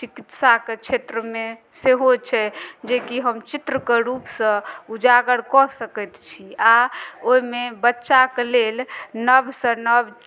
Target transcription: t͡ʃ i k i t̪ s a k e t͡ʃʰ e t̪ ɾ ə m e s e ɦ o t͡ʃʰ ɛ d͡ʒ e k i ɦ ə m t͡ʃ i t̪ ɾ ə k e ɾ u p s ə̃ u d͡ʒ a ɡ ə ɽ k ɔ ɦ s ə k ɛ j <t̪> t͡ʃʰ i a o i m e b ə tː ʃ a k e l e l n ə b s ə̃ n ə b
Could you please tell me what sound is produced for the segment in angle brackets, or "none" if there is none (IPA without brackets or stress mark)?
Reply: t̪